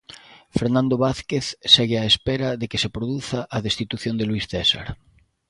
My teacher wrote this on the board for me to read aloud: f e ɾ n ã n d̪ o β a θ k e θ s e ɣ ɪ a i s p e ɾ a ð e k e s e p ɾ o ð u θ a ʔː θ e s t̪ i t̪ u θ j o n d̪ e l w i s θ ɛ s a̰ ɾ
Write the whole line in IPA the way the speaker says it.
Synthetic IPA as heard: f e ɾ n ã n d̪ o β a θ k e θ s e ɣ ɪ a e s p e ɾ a ð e k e s e p ɾ o ð u θ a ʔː ð e s t̪ i t̪ u θ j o n d̪ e l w i s θ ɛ s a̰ ɾ